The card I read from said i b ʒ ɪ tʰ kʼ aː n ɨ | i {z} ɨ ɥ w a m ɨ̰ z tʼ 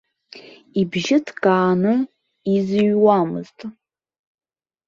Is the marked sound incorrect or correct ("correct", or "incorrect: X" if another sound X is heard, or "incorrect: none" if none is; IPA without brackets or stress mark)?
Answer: correct